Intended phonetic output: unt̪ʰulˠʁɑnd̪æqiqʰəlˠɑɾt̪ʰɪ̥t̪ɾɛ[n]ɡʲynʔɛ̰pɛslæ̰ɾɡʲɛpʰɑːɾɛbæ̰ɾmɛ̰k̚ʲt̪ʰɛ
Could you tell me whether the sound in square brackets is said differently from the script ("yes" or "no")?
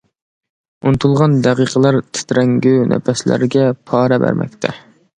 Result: yes